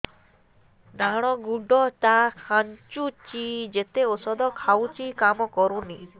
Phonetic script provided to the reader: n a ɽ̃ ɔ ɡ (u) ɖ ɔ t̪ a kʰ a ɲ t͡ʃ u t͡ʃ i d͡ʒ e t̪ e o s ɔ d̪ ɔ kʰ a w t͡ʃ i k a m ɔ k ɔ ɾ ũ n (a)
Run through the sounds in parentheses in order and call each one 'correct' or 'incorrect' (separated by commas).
correct, incorrect